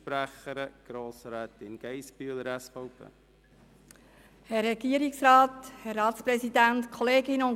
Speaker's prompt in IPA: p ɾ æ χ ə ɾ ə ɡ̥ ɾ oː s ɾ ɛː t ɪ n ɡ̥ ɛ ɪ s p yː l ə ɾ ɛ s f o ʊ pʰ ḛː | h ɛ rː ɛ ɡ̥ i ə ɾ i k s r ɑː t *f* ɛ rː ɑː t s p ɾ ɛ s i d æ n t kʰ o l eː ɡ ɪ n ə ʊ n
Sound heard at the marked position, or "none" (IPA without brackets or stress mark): h